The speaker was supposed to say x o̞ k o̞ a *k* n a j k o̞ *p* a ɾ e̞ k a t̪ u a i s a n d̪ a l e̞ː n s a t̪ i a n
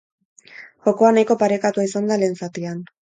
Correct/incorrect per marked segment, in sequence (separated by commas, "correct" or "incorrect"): incorrect, correct